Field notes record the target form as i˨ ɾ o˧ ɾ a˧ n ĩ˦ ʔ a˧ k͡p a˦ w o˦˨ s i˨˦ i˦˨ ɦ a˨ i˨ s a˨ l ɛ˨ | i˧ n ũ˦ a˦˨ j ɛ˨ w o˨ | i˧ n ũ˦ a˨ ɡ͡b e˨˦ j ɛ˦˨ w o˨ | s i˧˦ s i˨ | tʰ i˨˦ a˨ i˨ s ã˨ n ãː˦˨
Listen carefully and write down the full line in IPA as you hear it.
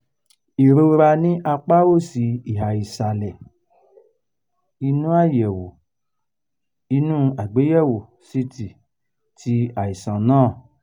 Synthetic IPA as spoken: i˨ ɾ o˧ ɾ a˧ n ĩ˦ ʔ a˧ k͡p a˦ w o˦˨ s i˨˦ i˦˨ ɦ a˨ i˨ s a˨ l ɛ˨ | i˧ n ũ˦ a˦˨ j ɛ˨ w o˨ | i˧ n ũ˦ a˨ ɡ͡b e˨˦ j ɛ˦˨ w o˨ | s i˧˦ t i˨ | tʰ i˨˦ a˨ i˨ s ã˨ n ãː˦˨